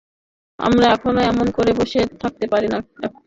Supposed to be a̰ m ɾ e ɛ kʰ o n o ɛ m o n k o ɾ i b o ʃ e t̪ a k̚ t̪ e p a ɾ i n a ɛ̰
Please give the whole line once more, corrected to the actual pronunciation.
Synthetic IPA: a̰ m ɾ a ɛ kʰ o n o ɛ m o n k o ɾ e b o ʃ e t̪ʰ a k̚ t̪ e p a ɾ i n a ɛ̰